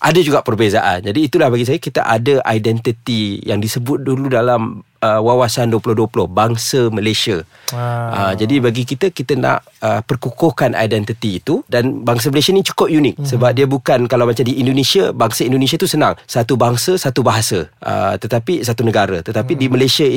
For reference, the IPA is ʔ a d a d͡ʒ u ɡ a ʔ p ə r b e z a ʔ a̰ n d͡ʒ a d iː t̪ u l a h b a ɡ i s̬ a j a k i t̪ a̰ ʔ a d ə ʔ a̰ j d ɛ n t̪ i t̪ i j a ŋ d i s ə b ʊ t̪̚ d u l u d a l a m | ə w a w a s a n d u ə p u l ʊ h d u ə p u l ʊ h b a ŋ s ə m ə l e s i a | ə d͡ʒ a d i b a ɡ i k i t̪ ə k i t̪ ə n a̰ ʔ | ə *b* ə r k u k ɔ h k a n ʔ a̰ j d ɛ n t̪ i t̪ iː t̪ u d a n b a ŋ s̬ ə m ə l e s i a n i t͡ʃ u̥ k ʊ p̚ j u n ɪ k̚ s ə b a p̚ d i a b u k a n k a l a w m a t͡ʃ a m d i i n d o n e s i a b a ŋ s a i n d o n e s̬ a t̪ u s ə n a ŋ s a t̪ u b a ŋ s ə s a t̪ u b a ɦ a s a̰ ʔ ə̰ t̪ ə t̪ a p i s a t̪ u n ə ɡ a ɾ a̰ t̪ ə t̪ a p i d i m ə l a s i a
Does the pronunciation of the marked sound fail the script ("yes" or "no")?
yes